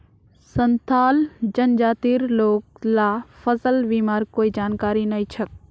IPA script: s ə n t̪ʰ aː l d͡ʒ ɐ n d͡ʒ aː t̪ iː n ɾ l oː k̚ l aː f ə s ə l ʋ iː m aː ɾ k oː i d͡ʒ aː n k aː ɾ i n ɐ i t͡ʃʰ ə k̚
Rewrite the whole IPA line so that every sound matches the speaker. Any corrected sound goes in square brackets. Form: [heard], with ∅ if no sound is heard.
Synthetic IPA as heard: s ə n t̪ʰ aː l d͡ʒ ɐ n d͡ʒ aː t̪ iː [∅] ɾ l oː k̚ l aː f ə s ə l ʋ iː m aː ɾ k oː i d͡ʒ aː n k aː ɾ i n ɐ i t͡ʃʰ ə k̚